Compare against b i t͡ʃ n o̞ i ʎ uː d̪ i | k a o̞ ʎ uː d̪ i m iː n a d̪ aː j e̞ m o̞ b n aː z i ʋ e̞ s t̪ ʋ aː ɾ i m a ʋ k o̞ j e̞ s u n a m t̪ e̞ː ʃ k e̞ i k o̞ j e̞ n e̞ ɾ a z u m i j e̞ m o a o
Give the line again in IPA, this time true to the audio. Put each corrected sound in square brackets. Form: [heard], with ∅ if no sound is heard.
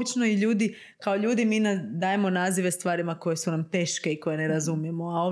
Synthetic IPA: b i t͡ʃ n o̞ i ʎ uː d̪ i | k a o̞ ʎ uː d̪ i m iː n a d̪ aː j e̞ m o̞ [∅] n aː z i ʋ e̞ s t̪ ʋ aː ɾ i m a [∅] k o̞ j e̞ s u n a m t̪ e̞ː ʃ k e̞ i k o̞ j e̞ n e̞ ɾ a z u m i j e̞ m o a o